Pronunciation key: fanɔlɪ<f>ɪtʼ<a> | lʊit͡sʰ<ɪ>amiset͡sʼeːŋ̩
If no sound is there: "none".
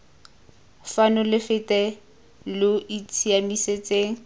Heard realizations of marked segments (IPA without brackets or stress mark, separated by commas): f, ɛ, i